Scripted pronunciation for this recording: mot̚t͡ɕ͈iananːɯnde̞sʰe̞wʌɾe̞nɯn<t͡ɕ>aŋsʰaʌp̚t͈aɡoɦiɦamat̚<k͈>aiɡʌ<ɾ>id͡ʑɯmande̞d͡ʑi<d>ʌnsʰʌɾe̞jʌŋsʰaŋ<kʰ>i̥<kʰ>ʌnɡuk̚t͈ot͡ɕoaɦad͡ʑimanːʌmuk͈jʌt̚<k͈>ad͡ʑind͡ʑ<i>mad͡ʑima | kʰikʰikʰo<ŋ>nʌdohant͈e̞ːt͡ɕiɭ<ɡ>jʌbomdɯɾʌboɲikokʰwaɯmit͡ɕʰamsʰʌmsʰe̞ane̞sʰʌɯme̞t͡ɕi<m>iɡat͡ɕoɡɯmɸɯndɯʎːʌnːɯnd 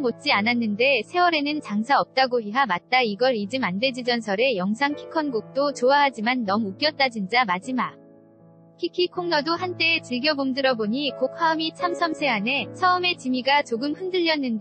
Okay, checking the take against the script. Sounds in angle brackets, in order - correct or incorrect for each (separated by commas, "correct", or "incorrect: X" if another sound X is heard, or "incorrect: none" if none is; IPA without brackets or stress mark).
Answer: correct, incorrect: t͈, correct, incorrect: d͡ʑ, correct, correct, incorrect: t͈, incorrect: a, correct, correct, correct